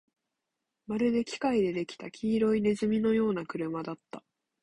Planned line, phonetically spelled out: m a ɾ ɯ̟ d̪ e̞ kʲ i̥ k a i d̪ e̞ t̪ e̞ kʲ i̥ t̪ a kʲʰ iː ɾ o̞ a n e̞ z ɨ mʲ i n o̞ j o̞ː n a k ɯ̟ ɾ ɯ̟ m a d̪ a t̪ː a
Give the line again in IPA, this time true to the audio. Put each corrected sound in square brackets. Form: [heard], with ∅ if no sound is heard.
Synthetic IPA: m a ɾ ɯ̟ d̪ e̞ kʲ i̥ k a i d̪ e̞ [d̪] e̞ kʲ i̥ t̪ a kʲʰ iː ɾ o̞ [i] n e̞ z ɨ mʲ i n o̞ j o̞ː n a k ɯ̟ ɾ ɯ̟ m a d̪ a t̪ː a